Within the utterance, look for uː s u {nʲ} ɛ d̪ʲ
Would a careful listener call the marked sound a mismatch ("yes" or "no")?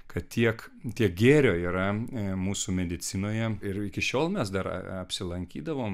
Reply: yes